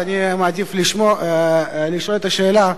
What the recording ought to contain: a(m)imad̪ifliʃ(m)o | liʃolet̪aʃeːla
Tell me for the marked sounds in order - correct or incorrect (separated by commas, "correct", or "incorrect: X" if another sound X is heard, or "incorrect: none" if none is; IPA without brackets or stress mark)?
incorrect: n, correct